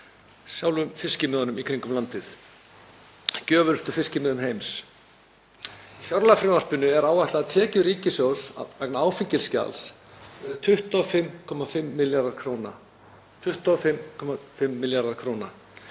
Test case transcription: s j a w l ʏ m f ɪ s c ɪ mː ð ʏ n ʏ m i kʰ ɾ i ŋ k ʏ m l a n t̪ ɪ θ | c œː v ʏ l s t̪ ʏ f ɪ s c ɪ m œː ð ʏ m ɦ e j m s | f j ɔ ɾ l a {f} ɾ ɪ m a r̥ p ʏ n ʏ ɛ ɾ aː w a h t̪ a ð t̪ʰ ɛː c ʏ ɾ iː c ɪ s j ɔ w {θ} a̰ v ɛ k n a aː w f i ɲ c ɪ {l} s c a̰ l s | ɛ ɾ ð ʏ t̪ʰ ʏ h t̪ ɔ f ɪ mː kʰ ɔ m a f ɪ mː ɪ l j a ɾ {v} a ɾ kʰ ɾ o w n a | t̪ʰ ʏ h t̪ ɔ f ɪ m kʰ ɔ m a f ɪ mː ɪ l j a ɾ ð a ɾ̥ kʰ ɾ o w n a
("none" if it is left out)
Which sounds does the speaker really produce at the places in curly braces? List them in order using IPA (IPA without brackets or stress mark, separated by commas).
f, s, l, ð